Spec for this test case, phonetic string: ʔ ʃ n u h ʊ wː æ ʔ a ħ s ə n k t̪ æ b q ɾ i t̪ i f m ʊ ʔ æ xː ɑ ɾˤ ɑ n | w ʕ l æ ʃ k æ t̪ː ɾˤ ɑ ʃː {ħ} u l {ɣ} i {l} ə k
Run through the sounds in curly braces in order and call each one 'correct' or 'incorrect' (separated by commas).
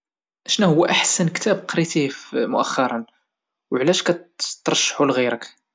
correct, correct, incorrect